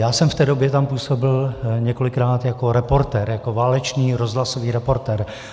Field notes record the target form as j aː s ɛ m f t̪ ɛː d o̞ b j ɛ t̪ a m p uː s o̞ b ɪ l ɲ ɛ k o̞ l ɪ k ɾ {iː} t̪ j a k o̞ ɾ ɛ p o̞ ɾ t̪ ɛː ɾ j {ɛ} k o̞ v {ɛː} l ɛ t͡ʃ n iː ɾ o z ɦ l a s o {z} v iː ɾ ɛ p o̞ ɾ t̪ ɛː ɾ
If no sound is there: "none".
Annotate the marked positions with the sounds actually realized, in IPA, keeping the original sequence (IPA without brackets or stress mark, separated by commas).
aː, a, aː, none